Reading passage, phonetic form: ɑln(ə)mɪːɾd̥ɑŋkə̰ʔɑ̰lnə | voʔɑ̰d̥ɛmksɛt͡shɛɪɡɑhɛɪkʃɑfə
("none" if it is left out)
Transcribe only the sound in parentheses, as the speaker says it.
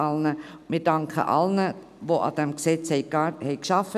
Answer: ə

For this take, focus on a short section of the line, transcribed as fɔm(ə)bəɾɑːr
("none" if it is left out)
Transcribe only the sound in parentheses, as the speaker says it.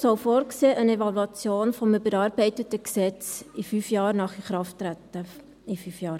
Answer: ə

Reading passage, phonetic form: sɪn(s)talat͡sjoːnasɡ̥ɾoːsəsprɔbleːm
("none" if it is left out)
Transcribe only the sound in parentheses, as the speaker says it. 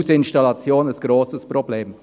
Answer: ʃ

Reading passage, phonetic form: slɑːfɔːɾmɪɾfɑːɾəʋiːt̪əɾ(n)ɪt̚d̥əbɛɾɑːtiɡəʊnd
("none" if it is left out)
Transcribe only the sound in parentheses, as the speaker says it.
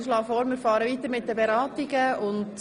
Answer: m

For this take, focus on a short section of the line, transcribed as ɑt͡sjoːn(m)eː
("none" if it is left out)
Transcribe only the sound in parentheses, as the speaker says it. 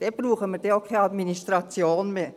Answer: m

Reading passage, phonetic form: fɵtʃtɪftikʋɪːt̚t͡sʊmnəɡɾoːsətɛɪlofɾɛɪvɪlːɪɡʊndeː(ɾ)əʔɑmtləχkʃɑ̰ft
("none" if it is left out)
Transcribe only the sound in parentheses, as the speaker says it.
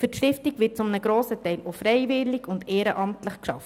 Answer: ɾ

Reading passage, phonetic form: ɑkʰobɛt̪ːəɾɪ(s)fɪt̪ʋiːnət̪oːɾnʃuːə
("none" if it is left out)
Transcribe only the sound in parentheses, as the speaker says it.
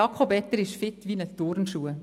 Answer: ʃ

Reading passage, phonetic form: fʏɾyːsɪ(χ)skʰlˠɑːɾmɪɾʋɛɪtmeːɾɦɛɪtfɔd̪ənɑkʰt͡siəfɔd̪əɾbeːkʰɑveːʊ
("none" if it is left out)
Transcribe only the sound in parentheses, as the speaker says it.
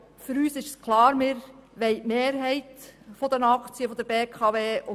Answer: ʃ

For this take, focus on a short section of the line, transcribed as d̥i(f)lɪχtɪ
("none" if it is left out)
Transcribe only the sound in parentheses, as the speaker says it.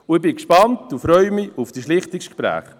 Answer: ʃ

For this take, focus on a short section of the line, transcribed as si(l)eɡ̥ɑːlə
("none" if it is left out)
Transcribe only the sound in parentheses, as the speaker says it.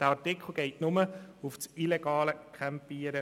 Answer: l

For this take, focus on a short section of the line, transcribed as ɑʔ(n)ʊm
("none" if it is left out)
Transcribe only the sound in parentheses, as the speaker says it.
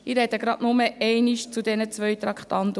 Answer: n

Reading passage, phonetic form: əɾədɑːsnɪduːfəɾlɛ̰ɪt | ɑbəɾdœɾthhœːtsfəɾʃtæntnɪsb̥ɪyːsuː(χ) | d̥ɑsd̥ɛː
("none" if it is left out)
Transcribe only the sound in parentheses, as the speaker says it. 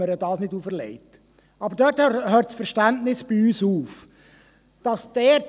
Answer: f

